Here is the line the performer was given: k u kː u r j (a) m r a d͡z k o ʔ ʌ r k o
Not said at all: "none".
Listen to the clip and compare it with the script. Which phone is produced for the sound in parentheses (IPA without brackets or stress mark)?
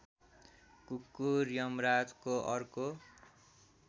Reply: ʌ